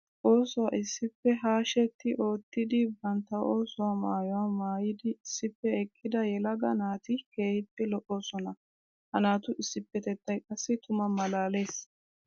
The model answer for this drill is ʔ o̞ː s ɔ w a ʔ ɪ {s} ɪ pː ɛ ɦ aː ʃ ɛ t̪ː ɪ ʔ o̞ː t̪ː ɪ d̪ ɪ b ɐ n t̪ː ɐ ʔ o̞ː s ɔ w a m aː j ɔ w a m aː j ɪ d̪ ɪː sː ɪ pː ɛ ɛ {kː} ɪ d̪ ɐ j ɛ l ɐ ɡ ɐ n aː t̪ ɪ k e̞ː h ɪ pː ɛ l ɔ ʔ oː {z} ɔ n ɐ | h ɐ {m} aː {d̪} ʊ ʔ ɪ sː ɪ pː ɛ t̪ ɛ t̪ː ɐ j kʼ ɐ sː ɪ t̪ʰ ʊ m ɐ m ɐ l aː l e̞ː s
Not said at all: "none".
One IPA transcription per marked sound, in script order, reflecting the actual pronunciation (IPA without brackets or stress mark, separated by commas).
sː, kʼː, s, n, t̪